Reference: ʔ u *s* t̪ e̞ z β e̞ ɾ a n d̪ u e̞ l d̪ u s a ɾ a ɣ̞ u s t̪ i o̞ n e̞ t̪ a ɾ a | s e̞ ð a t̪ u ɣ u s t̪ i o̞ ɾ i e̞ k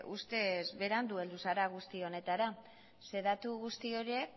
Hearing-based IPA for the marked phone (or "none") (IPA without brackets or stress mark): s